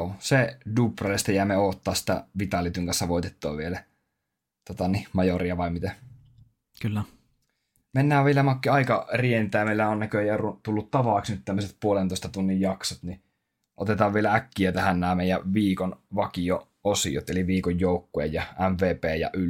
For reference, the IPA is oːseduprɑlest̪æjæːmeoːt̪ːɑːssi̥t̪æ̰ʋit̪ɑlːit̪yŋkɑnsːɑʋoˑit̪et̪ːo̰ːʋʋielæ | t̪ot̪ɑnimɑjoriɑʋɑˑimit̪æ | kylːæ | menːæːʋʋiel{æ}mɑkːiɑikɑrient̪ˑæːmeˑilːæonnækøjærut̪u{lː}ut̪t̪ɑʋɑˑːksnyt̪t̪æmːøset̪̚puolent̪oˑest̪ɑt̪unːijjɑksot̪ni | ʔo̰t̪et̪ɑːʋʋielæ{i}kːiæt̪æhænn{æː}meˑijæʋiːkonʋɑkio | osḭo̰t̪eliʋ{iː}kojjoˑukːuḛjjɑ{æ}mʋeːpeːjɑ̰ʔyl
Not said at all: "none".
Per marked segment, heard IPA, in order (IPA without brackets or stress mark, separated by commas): æ, lː, æ, æː, iː, æ